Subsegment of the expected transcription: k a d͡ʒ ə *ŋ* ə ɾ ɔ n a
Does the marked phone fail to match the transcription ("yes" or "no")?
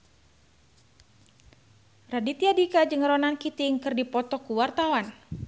no